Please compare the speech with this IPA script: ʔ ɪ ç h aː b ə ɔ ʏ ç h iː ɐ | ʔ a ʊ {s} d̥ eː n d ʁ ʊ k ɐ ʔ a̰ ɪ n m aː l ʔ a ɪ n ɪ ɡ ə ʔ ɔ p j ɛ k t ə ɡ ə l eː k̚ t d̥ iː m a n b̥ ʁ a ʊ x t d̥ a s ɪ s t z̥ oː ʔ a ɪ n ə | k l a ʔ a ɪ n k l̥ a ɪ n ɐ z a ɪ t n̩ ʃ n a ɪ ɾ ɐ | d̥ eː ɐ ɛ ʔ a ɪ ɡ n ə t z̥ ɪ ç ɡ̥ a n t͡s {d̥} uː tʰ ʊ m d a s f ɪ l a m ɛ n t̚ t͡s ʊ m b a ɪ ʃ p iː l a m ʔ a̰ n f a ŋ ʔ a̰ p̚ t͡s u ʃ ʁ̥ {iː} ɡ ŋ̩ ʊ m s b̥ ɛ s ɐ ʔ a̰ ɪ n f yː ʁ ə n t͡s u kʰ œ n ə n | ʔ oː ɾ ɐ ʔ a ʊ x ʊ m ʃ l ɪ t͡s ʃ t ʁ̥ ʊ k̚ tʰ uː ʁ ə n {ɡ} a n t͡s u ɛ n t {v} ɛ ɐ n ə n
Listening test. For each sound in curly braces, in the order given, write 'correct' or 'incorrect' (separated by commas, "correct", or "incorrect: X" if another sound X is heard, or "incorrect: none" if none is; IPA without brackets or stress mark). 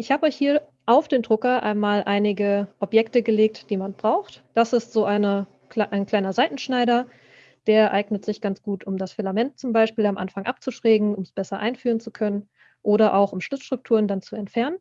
incorrect: f, incorrect: ɡ̥, incorrect: ɛː, incorrect: d, incorrect: f